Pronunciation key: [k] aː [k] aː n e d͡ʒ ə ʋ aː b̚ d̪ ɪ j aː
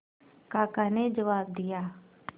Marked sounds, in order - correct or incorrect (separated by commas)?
correct, correct